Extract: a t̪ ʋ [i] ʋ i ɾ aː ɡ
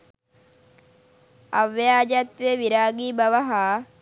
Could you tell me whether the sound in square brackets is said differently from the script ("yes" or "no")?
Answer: yes